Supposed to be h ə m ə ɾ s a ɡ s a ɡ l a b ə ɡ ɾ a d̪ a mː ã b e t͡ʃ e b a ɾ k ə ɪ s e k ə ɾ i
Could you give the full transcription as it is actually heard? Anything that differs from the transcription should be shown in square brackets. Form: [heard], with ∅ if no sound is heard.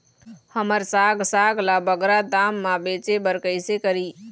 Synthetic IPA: h ə m ə ɾ s a ɡ s a ɡ l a b ə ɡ ɾ a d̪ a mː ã b e t͡ʃ e b [ə] ɾ k ə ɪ s e k ə ɾ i